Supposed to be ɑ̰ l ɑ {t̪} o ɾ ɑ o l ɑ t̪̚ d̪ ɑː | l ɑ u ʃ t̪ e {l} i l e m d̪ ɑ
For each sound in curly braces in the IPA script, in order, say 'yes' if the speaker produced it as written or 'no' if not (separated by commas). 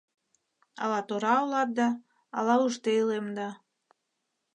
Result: yes, no